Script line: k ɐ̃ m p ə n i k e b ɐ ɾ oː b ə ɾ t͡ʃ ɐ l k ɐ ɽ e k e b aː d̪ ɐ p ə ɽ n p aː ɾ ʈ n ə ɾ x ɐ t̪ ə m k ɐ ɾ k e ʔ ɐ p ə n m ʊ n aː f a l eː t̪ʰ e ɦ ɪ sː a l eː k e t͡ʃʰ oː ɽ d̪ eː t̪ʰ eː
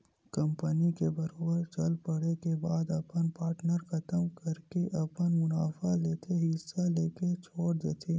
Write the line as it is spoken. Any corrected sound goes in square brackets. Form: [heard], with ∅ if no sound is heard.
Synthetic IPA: k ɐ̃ m p ə n i k e b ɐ ɾ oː b ə ɾ t͡ʃ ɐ l [p] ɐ ɽ e k e b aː d̪ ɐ p ə [∅] n p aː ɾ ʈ n ə ɾ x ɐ t̪ ə m k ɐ ɾ k e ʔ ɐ p ə n m ʊ n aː f a l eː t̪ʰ e ɦ ɪ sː a l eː k e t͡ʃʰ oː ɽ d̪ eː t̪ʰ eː